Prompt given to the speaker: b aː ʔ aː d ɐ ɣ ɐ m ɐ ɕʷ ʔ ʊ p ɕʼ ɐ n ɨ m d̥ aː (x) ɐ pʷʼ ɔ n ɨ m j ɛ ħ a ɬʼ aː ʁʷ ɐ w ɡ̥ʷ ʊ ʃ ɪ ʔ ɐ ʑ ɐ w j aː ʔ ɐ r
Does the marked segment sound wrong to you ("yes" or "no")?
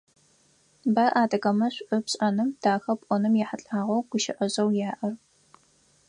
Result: no